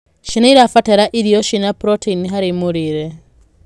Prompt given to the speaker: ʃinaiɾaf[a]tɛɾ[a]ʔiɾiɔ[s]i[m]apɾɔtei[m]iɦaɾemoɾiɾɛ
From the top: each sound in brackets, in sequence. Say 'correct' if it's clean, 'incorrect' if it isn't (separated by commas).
correct, correct, incorrect, incorrect, incorrect